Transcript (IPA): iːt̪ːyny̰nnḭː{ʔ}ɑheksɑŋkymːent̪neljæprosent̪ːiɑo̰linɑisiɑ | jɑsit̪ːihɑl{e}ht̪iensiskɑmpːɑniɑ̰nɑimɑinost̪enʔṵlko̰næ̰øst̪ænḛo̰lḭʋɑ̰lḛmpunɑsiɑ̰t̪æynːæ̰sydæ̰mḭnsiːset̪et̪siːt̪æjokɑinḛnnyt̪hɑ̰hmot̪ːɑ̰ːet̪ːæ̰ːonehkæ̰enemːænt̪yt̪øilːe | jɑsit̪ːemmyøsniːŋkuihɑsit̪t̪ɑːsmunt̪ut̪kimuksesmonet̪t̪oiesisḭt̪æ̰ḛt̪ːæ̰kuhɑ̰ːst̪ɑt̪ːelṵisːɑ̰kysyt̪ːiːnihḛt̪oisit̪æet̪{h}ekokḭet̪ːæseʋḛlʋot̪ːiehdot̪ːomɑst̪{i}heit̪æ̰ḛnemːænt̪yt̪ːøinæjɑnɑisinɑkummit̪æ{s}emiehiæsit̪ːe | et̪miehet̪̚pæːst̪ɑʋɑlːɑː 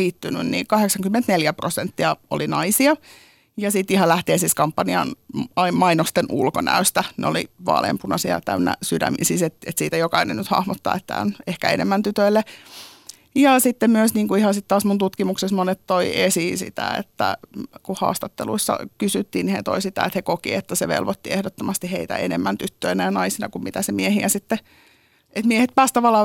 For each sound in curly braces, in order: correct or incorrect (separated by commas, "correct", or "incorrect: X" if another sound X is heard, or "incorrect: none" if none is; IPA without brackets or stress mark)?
incorrect: k, incorrect: æ, correct, correct, correct